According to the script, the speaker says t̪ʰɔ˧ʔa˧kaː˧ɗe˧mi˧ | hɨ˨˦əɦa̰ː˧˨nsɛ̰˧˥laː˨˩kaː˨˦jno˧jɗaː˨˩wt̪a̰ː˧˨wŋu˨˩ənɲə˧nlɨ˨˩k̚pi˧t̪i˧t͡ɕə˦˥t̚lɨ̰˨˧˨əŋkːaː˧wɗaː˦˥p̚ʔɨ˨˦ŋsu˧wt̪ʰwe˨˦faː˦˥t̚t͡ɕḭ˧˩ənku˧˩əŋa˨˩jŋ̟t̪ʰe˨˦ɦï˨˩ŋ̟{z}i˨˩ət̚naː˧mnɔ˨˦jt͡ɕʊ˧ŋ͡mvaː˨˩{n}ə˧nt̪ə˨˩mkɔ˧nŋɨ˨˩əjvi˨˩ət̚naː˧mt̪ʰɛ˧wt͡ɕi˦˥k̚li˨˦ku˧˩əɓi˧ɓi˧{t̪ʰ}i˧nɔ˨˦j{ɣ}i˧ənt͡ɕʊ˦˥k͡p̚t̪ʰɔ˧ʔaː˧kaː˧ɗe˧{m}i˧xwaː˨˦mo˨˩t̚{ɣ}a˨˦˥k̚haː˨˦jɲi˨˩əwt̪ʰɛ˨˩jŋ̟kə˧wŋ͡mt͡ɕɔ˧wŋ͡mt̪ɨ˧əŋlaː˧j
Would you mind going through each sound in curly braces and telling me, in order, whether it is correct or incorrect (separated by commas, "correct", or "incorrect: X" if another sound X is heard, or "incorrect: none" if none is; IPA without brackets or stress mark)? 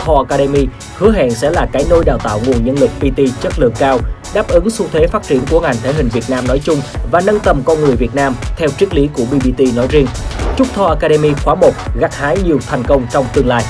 incorrect: v, correct, incorrect: t̪, incorrect: z, correct, correct